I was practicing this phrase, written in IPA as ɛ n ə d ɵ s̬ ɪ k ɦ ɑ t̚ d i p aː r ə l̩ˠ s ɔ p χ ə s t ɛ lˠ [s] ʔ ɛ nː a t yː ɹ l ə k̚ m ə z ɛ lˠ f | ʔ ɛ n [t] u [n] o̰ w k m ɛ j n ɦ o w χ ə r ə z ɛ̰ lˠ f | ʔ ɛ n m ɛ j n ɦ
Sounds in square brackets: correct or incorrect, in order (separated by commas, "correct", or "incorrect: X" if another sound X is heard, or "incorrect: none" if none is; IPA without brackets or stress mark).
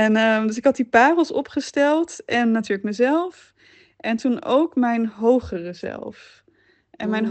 incorrect: t, correct, correct